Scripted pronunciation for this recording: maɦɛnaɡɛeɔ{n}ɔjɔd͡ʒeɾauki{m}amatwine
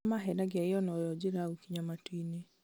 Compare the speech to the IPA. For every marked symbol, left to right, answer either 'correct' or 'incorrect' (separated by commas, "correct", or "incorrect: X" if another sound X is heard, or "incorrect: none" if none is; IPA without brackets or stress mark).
correct, incorrect: ɲ